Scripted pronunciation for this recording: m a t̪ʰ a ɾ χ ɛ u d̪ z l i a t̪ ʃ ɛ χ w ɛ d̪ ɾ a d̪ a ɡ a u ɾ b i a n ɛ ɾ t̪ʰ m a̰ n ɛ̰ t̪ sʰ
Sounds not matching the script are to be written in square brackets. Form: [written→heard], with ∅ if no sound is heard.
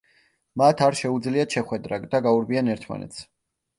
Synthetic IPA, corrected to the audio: m a t̪ʰ a ɾ [χ→ʃ] ɛ u d̪ z l i a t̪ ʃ ɛ χ w ɛ d̪ ɾ a d̪ a ɡ a u ɾ b i a n ɛ ɾ t̪ʰ m a̰ n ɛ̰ t̪ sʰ